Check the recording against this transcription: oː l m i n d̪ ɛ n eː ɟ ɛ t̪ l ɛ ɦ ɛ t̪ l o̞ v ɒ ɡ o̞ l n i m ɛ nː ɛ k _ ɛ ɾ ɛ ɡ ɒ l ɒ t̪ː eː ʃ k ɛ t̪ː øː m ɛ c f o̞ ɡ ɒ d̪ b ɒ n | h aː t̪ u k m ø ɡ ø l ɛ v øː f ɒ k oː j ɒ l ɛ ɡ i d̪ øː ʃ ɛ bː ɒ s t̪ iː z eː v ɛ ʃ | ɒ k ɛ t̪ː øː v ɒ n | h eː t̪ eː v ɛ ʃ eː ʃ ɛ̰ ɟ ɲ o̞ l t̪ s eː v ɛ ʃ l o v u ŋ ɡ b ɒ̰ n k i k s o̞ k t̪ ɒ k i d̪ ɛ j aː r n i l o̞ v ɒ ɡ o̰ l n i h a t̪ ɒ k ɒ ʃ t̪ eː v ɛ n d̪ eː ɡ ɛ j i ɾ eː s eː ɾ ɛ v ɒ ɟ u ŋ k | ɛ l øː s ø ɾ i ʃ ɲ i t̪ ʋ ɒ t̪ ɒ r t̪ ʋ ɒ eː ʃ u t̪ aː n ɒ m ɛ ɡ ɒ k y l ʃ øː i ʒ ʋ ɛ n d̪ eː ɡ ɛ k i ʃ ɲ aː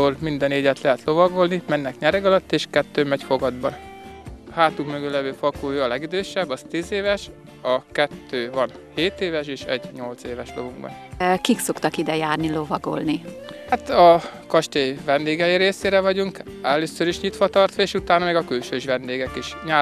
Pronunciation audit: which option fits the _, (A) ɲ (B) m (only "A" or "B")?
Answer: A